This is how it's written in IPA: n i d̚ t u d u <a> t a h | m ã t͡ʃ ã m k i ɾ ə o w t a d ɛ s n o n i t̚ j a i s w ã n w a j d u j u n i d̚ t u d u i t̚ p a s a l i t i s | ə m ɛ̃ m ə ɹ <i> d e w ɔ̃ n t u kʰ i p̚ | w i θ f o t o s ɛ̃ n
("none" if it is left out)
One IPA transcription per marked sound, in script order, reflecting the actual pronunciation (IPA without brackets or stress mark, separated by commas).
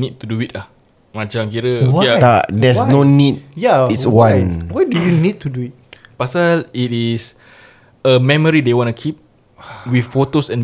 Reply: i, i